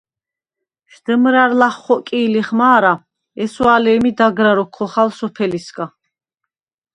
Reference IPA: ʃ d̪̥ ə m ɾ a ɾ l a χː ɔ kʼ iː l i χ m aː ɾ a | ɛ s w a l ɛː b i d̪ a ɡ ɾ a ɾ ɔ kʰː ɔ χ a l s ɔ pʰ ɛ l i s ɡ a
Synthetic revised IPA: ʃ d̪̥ ə m ɾ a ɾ l a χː ɔ kʼ iː l i χ m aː ɾ a | ɛ s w a l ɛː m i d̪ a ɡ ɾ a ɾ ɔ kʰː ɔ χ a l s ɔ pʰ ɛ l i s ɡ a